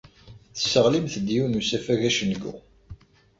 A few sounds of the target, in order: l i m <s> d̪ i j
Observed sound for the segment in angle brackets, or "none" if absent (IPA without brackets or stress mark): θ